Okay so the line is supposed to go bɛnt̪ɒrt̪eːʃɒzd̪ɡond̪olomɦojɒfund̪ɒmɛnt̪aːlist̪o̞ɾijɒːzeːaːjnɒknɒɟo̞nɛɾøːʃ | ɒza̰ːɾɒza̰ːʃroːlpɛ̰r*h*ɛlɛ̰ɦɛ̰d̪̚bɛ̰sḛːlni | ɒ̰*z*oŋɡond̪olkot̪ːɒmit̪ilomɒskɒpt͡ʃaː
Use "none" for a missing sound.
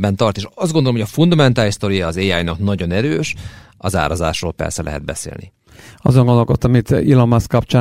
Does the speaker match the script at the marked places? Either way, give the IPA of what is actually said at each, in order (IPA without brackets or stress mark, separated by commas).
s, z